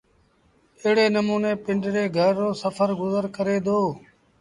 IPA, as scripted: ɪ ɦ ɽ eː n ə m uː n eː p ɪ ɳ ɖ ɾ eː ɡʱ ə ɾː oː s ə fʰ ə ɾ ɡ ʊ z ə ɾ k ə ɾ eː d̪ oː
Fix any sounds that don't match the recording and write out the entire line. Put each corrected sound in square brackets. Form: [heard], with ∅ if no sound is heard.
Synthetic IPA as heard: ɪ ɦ ɽ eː n ə m uː n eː p ɪ ɳ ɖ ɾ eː ɡʱ ə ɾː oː s ə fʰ ə ɾ ɡ ʊ z ə ɾ k ə ɾ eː d̪ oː